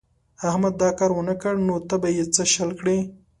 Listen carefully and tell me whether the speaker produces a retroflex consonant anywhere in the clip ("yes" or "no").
yes